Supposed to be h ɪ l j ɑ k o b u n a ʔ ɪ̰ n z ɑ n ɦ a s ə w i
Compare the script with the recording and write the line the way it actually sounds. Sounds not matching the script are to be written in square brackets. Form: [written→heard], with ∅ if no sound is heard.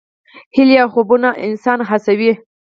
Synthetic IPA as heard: h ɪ l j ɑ [k→x] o b u n a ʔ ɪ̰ n [z→s] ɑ n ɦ a s [ə→a] w i